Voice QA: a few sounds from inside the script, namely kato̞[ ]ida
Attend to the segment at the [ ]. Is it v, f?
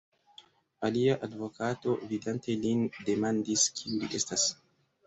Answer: v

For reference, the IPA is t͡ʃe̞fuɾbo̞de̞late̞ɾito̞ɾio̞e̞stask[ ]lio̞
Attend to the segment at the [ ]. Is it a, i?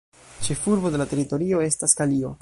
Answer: a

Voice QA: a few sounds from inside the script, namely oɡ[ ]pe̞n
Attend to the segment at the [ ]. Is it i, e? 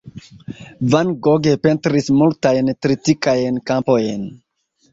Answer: e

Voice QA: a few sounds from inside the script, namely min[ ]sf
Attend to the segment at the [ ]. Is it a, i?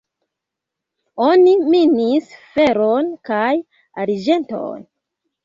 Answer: i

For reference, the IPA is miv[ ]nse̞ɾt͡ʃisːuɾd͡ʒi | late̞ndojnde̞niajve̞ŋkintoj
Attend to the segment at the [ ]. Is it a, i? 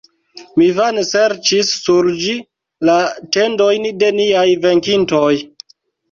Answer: a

